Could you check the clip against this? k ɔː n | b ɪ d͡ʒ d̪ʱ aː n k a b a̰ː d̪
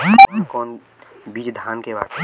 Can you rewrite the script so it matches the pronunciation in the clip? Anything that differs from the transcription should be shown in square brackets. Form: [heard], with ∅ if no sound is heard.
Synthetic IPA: k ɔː n | b [i] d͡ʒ d̪ʱ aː n k [e] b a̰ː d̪